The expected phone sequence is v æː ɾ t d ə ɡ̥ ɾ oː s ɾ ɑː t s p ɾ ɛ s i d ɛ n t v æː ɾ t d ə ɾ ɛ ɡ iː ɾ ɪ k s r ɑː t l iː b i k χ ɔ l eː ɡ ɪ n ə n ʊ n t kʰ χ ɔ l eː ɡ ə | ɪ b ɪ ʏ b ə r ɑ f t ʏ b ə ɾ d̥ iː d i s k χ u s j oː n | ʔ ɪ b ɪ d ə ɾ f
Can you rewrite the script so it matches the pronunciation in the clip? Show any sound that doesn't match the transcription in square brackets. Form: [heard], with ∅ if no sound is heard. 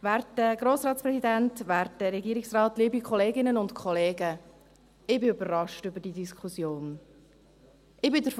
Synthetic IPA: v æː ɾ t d ə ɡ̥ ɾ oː s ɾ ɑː t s p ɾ ɛ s i d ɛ n t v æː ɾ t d ə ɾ ɛ ɡ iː ɾ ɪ k s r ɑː t l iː b i k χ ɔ l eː ɡ ɪ n ə n ʊ n t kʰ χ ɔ l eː ɡ ə | ɪ b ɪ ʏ b ə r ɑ [ʃ] t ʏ b ə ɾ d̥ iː d i s k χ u s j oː n | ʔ ɪ b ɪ d ə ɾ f

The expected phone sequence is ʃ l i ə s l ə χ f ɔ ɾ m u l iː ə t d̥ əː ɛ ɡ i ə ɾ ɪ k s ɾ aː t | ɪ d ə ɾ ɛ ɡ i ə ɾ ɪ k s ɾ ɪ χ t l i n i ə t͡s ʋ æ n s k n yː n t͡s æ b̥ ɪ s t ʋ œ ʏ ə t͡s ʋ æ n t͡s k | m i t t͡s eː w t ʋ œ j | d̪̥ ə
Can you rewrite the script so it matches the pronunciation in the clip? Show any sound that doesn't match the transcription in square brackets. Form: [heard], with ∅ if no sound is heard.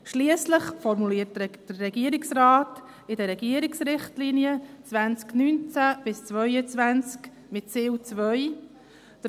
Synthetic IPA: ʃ l i ə s l ə χ f ɔ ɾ m u l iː ə t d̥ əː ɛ ɡ i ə ɾ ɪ k s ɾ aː t | ɪ d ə ɾ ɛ ɡ i ə ɾ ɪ k s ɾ ɪ χ t l i n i ə t͡s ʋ æ n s k n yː n t͡s æ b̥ ɪ s [t͡s] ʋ œ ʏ ə t͡s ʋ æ n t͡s k | m [ɪ] t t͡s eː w [t͡s] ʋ œ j | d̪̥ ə

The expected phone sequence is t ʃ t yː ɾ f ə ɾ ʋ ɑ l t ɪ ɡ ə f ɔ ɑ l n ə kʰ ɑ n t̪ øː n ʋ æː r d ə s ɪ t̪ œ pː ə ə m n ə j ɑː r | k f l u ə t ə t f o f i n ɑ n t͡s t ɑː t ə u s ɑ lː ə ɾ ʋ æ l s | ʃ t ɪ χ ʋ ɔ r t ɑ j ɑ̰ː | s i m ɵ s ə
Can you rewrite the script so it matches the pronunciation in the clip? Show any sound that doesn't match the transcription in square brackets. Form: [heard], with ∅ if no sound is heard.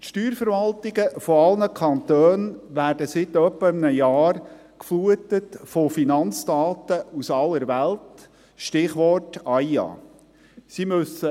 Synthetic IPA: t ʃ t yː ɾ f ə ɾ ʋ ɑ l t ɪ ɡ ə f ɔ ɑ l n ə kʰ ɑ n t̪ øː n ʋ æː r d ə s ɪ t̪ œ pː ə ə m n ə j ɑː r | k f l u ə t ə t f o f i n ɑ n t͡s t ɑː t ə u s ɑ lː ə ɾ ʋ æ l [t] | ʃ t ɪ χ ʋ ɔ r t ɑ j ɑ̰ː | s i m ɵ s ə

